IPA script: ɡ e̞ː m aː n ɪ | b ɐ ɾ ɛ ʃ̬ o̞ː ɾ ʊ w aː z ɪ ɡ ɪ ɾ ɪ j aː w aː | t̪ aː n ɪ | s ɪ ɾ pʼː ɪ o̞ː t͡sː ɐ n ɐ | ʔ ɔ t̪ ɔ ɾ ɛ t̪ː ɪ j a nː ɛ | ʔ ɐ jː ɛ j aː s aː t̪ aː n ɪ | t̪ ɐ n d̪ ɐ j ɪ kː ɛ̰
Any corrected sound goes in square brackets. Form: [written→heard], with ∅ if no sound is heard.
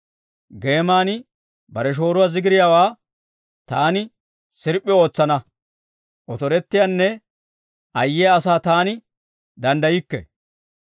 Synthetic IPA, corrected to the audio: ɡ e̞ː m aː n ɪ | b ɐ ɾ ɛ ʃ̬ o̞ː ɾ ʊ w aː z ɪ ɡ ɪ ɾ ɪ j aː w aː | t̪ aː n ɪ | s ɪ ɾ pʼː ɪ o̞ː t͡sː ɐ n ɐ | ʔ ɔ t̪ ɔ ɾ ɛ t̪ː ɪ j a nː ɛ | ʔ ɐ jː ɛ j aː s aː t̪ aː n ɪ | [t̪→d̪] ɐ n d̪ ɐ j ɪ kː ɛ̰